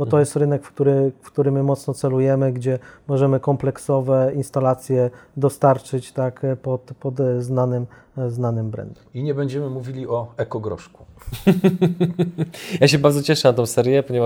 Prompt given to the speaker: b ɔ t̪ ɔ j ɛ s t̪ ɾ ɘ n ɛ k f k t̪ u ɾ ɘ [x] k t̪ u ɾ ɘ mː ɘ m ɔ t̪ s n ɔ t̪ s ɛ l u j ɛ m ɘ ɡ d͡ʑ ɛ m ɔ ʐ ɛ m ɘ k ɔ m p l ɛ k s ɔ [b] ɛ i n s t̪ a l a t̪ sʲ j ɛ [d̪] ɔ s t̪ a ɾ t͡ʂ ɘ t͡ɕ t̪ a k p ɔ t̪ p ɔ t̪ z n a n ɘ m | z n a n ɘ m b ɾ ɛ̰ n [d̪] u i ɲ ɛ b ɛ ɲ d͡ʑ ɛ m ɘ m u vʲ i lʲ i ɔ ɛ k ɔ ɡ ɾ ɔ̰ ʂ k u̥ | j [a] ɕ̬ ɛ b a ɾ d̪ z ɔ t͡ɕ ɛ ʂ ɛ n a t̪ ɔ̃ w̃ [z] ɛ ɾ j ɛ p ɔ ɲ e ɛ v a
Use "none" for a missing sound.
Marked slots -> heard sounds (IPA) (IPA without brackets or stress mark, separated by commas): f, v, d̪, d̪, a, s